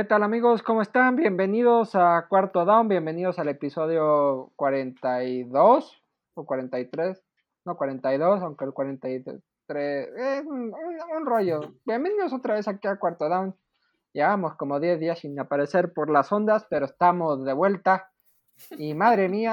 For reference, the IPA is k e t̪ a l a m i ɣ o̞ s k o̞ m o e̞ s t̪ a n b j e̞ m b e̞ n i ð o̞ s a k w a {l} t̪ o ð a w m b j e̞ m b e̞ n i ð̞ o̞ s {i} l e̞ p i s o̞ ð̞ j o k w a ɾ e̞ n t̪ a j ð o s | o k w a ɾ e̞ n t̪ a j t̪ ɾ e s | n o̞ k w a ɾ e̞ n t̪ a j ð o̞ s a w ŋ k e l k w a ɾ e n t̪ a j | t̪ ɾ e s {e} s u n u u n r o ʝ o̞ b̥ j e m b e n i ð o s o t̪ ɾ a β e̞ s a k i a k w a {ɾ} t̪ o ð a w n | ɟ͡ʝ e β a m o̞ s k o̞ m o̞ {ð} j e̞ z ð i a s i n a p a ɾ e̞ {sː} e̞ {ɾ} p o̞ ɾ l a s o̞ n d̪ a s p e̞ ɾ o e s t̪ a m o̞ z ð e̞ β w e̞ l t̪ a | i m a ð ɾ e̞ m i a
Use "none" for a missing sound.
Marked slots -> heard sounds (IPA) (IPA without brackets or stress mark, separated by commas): ɾ, a, e, ɾ, ð, s, ɾ